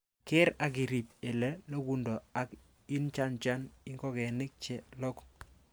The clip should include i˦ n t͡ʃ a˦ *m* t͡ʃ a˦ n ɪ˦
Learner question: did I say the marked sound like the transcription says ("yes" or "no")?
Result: no